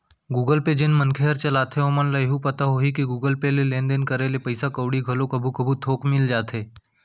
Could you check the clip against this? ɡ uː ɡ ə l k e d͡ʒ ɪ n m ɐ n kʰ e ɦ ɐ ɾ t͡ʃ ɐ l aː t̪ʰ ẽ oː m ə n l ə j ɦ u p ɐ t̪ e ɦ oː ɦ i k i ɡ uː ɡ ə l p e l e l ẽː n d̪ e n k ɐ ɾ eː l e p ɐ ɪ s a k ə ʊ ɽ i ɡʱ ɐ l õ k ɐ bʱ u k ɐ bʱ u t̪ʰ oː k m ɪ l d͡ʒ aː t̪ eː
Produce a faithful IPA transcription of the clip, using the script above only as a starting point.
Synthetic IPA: ɡ uː ɡ ə l p e d͡ʒ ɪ n m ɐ n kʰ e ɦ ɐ ɾ t͡ʃ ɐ l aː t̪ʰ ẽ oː m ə n l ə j ɦ u p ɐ t̪ a ɦ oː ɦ i k i ɡ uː ɡ ə l p e l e l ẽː n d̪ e n k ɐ ɾ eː l e p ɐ ɪ s a k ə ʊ ɽ i ɡʱ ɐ l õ k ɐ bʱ u k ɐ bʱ u t̪ʰ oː k m ɪ l d͡ʒ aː t̪ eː